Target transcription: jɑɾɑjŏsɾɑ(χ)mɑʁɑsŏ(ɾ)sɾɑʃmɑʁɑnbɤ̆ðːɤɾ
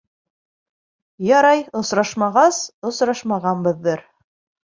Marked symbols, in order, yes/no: no, no

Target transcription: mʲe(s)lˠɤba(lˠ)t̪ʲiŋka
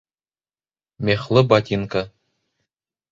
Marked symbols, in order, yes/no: no, no

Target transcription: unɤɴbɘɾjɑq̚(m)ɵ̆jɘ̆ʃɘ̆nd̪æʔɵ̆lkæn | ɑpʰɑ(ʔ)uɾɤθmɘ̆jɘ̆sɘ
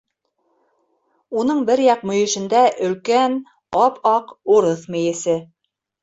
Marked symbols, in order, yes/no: yes, no

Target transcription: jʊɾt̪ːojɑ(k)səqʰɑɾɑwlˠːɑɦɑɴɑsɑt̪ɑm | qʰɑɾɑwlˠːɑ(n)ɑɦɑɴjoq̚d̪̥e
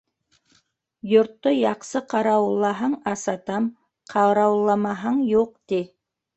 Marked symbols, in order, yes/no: no, no

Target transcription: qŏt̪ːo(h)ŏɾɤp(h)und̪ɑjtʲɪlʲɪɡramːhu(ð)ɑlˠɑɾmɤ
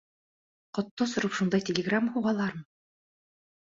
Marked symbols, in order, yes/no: no, no, no

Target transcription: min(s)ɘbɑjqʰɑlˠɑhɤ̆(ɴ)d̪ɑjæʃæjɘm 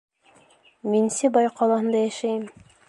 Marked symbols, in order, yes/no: yes, no

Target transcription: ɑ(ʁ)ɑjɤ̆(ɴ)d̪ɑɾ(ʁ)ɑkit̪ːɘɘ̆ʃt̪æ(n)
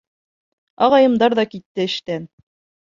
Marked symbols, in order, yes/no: yes, no, no, yes

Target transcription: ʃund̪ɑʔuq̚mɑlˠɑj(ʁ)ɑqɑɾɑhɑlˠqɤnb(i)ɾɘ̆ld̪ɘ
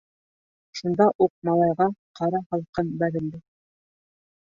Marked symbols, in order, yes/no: yes, no

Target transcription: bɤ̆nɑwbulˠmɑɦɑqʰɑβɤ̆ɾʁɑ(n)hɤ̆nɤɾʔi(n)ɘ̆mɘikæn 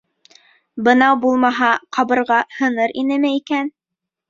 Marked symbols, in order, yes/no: no, yes

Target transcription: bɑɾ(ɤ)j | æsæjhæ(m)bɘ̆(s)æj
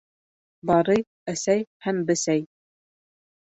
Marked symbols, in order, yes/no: yes, yes, yes

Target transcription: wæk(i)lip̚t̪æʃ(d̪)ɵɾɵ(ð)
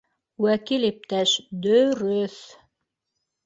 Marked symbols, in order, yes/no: yes, yes, no

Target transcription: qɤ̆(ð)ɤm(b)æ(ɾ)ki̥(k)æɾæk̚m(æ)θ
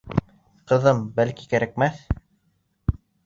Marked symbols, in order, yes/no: yes, yes, no, yes, yes

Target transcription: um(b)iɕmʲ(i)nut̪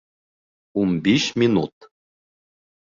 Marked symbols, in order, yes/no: yes, yes

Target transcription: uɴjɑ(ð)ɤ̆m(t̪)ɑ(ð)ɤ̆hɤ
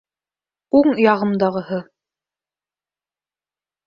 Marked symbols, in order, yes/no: no, no, no

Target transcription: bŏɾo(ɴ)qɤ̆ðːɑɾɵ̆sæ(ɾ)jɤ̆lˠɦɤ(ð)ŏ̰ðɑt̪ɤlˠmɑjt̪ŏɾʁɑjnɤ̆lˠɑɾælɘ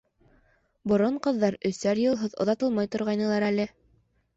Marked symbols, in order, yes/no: yes, yes, yes

